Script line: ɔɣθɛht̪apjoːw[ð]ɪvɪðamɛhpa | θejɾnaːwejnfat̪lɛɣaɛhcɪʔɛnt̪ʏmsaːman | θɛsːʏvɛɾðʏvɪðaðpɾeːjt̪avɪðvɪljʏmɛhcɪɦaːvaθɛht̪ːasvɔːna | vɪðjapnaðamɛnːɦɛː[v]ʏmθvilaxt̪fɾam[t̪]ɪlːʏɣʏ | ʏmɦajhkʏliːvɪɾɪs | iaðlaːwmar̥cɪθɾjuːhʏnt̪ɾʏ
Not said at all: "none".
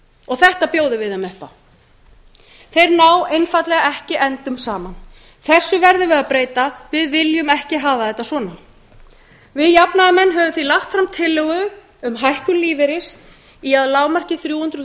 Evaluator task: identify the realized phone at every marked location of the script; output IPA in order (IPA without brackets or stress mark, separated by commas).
ð, v, t̪ʰ